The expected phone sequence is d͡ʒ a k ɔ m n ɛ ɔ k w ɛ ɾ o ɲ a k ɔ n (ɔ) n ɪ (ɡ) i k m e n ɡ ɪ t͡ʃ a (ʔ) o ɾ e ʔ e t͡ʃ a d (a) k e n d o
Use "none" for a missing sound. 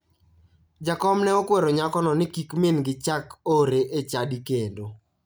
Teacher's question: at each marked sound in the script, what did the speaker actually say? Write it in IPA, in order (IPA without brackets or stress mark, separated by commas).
ɔ, k, k, i